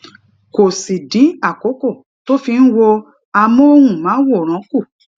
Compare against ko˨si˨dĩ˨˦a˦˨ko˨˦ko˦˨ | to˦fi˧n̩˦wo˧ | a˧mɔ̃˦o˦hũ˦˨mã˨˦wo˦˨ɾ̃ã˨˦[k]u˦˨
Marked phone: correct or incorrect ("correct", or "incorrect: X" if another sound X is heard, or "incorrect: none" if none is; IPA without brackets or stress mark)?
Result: correct